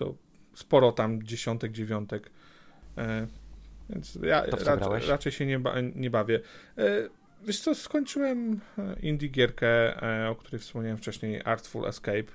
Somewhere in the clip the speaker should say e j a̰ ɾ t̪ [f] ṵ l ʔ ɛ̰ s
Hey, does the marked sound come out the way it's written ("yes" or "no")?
yes